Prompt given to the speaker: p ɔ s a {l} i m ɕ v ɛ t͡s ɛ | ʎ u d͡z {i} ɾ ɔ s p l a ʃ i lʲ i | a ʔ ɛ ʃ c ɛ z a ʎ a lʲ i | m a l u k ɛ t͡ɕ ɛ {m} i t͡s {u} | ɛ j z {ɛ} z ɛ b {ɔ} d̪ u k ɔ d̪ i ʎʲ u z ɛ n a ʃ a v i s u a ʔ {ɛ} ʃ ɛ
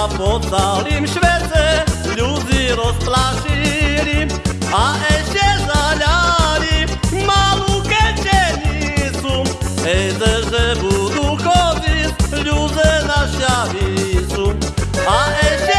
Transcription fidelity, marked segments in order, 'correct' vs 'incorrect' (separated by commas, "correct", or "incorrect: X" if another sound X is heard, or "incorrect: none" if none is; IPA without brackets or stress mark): correct, correct, incorrect: ɲ, correct, correct, incorrect: u, correct